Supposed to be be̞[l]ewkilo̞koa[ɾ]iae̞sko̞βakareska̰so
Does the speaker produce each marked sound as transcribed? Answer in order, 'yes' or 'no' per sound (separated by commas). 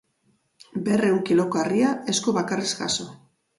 no, no